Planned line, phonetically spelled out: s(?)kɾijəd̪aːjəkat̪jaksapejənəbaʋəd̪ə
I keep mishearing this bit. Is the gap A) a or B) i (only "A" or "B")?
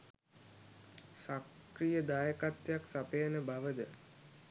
A